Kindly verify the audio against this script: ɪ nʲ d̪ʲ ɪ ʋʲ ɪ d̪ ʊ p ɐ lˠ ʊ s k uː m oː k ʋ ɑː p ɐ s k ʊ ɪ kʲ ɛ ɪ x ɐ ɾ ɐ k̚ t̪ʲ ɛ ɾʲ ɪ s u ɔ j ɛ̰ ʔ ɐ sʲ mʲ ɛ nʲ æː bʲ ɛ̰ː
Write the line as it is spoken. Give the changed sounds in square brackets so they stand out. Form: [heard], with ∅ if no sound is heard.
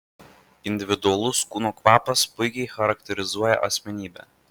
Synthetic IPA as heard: ɪ nʲ d̪ʲ ɪ ʋʲ ɪ d̪ ʊ [∅] ɐ lˠ ʊ s k uː [n] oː k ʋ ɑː p ɐ s [p] ʊ ɪ kʲ ɛ ɪ x ɐ ɾ ɐ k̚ t̪ʲ ɛ ɾʲ ɪ [z] u ɔ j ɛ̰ ʔ ɐ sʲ mʲ ɛ nʲ [iː] bʲ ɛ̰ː